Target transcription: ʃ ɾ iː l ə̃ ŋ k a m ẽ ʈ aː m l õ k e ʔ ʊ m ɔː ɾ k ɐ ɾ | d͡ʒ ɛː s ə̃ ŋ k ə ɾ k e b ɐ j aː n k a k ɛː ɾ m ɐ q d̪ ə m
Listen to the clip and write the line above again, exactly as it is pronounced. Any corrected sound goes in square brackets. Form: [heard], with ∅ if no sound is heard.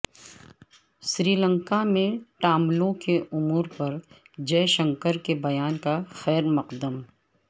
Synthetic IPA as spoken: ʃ ɾ iː l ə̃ ŋ k a m ẽ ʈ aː m l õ k e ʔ ʊ m [uː] ɾ [p] ɐ ɾ | d͡ʒ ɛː [ʃ] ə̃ ŋ k ə ɾ k e b ɐ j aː n k a [x] ɛː ɾ m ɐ q d̪ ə m